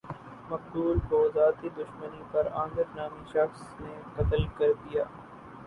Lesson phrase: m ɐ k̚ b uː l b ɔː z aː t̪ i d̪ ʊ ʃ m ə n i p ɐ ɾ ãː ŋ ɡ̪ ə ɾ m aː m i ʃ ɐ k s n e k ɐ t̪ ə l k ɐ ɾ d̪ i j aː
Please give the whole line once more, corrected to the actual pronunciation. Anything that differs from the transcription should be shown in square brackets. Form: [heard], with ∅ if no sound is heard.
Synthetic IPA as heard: m ɐ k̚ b uː l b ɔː z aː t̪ i d̪ ʊ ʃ m ə n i p ɐ ɾ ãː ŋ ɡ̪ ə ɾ [n] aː m i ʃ ɐ [x] s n e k ɐ t̪ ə l k ɐ ɾ d̪ i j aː